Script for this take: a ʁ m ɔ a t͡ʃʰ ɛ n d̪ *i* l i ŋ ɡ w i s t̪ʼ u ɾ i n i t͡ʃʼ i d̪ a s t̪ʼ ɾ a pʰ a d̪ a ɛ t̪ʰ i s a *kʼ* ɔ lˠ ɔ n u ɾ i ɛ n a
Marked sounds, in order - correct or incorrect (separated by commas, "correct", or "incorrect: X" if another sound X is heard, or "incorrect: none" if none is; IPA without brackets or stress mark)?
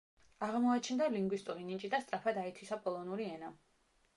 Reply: incorrect: a, incorrect: pʼ